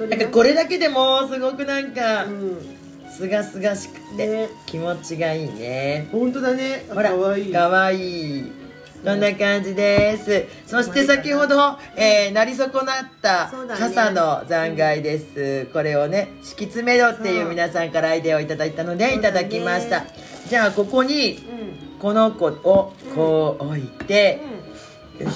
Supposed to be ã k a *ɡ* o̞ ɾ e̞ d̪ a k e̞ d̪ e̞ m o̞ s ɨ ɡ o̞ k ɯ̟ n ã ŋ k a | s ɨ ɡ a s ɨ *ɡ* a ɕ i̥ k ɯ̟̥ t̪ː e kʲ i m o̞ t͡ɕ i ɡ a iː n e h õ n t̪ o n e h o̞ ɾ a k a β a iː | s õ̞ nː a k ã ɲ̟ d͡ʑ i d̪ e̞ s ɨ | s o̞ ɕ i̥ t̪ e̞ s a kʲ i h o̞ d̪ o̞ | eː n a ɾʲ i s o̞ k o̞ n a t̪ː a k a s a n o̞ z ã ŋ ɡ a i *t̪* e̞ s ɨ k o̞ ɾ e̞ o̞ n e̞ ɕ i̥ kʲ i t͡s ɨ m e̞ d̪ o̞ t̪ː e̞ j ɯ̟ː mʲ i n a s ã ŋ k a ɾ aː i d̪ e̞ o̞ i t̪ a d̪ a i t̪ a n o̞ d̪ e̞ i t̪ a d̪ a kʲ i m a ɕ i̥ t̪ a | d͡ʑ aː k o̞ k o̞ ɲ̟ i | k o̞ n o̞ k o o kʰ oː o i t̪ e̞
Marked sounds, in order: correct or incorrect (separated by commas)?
incorrect, correct, incorrect